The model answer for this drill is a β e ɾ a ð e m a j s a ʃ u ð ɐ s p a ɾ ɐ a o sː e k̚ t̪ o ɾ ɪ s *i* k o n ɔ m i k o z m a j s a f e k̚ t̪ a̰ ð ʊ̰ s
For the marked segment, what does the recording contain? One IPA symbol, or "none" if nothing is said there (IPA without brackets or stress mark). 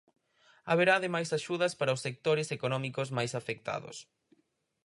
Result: e